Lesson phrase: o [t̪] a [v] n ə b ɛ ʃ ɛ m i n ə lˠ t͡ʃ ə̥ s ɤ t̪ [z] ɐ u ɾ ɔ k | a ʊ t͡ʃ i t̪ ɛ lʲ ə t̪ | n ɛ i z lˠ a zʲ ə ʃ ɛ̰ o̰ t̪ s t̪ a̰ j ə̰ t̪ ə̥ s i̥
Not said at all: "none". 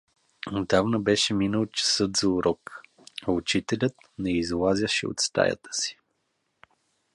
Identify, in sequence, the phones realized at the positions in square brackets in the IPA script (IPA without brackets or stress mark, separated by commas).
d̪, v, z